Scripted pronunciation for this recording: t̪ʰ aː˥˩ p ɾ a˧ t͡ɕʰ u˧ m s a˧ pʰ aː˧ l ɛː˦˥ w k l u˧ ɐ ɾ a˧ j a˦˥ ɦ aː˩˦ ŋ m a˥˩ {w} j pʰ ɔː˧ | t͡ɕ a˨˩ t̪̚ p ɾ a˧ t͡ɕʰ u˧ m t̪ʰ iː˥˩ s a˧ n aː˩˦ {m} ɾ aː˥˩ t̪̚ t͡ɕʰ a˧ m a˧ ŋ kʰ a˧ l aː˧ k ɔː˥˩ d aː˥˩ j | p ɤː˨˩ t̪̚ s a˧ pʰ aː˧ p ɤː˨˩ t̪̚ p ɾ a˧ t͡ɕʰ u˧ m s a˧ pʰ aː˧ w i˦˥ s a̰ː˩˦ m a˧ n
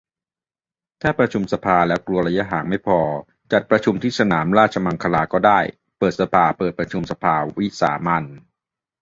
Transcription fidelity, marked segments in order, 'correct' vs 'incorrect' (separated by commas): incorrect, correct